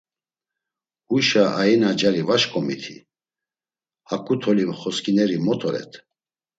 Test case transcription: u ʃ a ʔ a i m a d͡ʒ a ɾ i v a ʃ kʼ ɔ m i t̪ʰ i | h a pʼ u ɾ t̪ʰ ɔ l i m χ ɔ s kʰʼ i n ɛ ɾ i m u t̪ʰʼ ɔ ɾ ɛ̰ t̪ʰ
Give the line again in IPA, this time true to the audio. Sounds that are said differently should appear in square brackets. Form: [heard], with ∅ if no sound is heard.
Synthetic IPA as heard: u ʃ a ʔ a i [n] a d͡ʒ a ɾ i v a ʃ kʼ ɔ m i t̪ʰ i | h a [kʼ] u [∅] t̪ʰ ɔ l i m χ ɔ s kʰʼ i n ɛ ɾ i m [ɔ] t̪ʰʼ ɔ ɾ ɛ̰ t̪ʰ